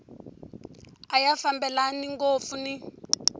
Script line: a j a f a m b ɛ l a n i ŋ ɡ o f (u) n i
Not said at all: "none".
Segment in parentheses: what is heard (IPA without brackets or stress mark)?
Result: u